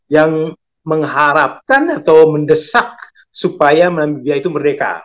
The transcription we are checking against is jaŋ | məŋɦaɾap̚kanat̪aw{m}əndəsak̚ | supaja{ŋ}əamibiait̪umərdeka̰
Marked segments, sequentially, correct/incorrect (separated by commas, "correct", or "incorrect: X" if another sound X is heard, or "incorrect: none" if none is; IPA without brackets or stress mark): correct, incorrect: m